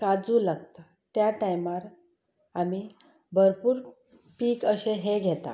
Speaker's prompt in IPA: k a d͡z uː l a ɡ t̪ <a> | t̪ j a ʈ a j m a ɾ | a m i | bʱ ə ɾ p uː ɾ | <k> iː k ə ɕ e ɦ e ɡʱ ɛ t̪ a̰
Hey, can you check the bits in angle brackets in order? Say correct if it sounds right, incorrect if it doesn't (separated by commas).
correct, incorrect